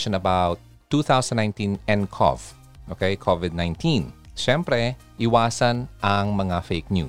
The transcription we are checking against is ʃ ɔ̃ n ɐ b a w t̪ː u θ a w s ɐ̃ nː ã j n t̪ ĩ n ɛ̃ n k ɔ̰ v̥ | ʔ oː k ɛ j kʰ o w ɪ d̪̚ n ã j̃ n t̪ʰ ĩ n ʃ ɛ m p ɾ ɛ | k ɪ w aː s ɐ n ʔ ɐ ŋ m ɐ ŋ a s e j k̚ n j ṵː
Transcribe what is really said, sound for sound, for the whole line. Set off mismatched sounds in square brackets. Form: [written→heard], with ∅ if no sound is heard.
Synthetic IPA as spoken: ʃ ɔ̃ n ɐ b a w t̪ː u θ a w s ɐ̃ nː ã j n t̪ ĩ n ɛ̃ n [k→kʰ] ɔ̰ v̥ | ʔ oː k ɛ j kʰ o [w→v] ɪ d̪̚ n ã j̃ n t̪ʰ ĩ n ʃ ɛ m p ɾ ɛ | [k→ʔ] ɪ w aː s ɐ n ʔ ɐ ŋ m ɐ ŋ a [s→f] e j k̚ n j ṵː